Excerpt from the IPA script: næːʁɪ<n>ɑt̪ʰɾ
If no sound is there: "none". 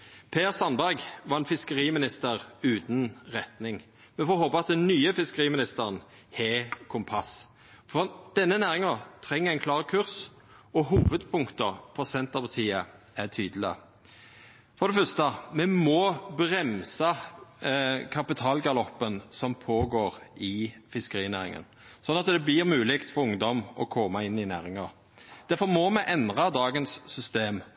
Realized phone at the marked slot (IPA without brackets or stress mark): ŋ